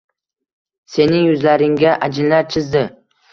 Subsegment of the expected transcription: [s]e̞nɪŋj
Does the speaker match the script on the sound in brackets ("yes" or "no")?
yes